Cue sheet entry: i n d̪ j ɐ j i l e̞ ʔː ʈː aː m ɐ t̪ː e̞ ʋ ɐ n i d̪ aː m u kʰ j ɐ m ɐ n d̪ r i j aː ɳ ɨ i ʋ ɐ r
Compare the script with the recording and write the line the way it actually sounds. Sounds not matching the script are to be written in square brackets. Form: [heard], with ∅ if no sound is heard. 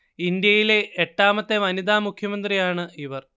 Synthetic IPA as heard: i n d̪ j ɐ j i l e̞ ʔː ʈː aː m ɐ t̪ː e̞ ʋ ɐ n i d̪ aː m u kʰ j ɐ m ɐ n d̪ r i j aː ɳ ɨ i ʋ ɐ r